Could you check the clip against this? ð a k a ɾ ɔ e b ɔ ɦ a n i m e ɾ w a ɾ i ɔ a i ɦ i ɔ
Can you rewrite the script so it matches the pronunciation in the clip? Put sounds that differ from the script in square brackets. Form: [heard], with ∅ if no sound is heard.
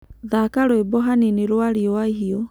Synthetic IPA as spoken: ð a k a ɾ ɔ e b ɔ ɦ a n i [n] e ɾ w a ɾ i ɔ a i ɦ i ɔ